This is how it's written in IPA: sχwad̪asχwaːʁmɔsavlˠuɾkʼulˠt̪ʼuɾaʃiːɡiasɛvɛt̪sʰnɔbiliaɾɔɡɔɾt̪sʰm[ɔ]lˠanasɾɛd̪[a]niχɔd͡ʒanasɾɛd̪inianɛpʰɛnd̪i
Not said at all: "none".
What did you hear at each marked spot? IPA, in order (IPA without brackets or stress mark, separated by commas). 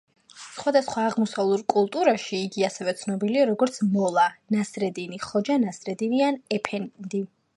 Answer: ɔ, i